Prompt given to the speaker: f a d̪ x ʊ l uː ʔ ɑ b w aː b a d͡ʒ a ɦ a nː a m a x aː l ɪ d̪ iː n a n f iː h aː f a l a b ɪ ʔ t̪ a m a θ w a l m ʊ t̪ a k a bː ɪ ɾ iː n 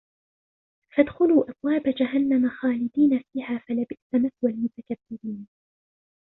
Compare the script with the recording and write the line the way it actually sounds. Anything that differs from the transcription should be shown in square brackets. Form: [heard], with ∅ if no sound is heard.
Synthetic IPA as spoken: f a d̪ x ʊ l uː ʔ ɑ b w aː b a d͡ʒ a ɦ a nː a m a x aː l ɪ d̪ iː n a [∅] f iː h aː f a l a b ɪ ʔ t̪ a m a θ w a l m ʊ t̪ a k a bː ɪ ɾ iː n

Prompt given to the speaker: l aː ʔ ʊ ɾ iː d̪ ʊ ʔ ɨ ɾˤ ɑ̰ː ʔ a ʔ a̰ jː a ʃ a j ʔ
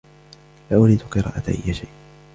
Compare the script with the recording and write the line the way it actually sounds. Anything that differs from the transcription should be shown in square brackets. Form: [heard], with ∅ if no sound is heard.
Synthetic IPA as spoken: l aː ʔ ʊ ɾ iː d̪ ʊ [q] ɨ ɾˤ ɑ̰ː ʔ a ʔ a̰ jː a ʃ a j ʔ

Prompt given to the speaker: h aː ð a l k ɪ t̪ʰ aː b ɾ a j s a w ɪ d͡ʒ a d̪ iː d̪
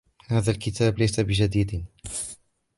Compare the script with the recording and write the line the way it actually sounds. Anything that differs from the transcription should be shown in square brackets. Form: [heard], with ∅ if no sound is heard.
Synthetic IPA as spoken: h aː ð a l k ɪ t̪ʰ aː b [l] a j s a [b] ɪ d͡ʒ a d̪ iː d̪

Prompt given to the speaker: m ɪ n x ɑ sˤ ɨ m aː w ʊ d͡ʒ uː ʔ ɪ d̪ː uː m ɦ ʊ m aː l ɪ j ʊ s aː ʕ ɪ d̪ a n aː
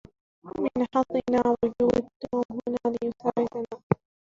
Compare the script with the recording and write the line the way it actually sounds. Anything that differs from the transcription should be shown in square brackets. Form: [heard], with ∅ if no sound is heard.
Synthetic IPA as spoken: m ɪ n [ħ] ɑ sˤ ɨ [n] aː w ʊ d͡ʒ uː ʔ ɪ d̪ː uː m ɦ ʊ [n] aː l ɪ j ʊ s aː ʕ ɪ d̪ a n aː

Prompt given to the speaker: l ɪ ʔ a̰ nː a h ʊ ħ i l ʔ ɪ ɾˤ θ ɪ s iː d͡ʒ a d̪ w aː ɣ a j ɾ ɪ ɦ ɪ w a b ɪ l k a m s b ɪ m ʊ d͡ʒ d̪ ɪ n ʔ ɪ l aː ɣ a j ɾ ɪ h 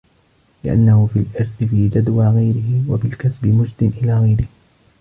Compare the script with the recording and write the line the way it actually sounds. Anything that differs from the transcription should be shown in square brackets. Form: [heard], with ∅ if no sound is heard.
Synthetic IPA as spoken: l ɪ ʔ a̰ nː a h ʊ [f] i l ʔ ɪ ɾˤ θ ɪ [f] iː d͡ʒ a d̪ w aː ɣ a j ɾ ɪ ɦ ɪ w a b ɪ l k a [∅] s b ɪ m ʊ d͡ʒ d̪ ɪ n ʔ ɪ l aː ɣ a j ɾ ɪ h

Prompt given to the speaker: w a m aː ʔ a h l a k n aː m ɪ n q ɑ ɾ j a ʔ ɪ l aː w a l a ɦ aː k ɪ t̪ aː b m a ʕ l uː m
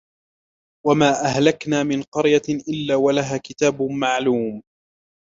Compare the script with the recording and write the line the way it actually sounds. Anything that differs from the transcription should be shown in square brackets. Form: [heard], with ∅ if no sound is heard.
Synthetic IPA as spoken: w a m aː ʔ a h l a k n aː m ɪ n q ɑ ɾ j a ʔ ɪ [lː] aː w a l a ɦ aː k ɪ t̪ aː b m a ʕ l uː m

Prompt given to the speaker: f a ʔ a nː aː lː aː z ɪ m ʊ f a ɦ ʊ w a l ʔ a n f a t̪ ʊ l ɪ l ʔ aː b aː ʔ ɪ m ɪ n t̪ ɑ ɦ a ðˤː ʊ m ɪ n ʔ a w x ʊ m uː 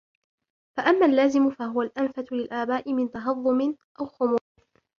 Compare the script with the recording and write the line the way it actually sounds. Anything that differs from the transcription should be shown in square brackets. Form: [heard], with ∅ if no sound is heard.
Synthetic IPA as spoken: f a ʔ a [mː] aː lː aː z ɪ m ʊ f a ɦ ʊ w a l ʔ a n f a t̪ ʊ l ɪ l ʔ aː b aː ʔ ɪ m ɪ n t̪ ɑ ɦ [ɑ] ðˤː ʊ m ɪ n ʔ a w x ʊ m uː

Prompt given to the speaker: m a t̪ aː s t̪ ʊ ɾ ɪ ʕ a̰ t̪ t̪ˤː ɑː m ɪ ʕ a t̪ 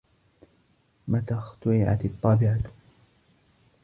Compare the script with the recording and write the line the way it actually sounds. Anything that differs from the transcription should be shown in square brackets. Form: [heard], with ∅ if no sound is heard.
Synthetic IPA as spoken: m a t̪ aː [x] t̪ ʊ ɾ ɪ ʕ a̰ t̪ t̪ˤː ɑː [b] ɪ ʕ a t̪

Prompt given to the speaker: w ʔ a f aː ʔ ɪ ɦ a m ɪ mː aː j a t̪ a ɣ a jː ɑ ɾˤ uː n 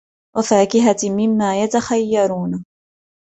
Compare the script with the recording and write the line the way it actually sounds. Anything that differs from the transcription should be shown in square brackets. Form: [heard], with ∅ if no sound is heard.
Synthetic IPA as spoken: w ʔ a f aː [k] ɪ ɦ a m ɪ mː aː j a t̪ a [x] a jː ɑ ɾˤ uː n

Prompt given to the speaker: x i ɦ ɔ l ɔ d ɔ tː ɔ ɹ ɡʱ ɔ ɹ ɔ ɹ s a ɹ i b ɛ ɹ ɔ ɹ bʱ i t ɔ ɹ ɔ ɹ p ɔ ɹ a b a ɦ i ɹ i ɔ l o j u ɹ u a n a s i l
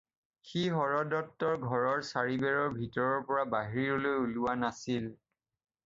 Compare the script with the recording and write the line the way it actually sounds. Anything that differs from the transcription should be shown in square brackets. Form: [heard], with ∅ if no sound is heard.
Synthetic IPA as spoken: x i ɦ ɔ [ɹ] ɔ d ɔ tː ɔ ɹ ɡʱ ɔ ɹ ɔ ɹ s a ɹ i b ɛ ɹ ɔ ɹ bʱ i t ɔ ɹ ɔ ɹ p ɔ ɹ a b a ɦ i ɹ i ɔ l o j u [l] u a n a s i l

